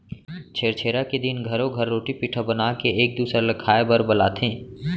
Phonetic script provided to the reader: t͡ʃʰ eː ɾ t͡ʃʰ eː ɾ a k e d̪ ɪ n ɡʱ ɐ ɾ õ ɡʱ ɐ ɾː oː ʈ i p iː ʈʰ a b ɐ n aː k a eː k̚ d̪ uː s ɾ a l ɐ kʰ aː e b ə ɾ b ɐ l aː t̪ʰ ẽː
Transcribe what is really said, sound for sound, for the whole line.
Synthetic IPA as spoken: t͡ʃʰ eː ɾ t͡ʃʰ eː ɾ a k e d̪ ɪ n ɡʱ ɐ ɾ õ ɡʱ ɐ ɾː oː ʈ i p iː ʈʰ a b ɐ n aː k e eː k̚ d̪ uː s ɾ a l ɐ kʰ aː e b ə ɾ b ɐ l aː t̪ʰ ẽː